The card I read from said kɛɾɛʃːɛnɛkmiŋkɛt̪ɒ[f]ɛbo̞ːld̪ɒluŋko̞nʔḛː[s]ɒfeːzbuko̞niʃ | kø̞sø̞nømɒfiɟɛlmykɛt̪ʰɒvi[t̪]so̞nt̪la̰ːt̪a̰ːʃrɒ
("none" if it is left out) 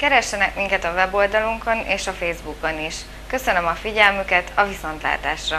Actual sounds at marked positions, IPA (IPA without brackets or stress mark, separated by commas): v, ʃ, none